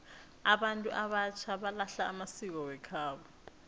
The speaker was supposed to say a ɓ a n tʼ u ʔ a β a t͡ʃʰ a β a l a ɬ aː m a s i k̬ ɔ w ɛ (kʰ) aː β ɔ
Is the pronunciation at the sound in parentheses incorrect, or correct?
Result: correct